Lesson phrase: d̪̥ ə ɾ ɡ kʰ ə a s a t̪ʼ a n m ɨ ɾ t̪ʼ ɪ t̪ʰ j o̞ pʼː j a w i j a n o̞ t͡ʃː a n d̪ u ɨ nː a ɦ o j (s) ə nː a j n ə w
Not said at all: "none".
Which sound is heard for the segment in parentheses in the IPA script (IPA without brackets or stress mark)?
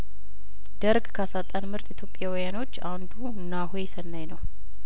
s